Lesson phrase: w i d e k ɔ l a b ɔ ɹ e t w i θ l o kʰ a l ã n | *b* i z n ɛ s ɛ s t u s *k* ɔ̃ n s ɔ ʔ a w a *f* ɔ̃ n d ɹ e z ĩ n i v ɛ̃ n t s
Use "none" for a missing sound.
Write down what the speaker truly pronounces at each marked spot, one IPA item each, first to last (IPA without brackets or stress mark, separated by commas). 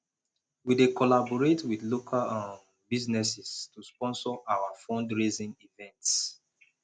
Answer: b, p, f